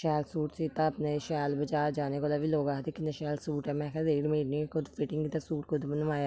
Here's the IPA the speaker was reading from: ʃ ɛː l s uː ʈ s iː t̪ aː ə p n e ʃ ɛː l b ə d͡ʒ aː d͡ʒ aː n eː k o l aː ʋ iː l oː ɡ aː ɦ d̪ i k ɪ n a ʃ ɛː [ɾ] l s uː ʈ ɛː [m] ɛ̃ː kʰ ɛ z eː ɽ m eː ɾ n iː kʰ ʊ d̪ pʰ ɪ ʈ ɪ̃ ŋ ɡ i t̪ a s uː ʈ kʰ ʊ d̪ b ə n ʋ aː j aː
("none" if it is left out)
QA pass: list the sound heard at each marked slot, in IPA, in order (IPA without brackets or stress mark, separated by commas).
none, m